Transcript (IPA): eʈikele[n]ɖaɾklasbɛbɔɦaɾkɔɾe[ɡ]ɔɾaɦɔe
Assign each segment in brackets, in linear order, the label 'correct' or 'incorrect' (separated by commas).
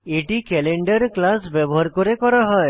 incorrect, incorrect